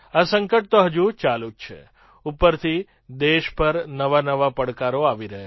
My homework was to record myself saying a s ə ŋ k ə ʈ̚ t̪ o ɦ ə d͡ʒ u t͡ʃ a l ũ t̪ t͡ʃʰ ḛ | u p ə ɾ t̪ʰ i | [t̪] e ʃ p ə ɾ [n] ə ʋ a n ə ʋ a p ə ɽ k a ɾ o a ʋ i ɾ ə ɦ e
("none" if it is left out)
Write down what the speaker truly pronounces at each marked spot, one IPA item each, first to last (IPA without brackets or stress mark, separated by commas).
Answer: d̪, n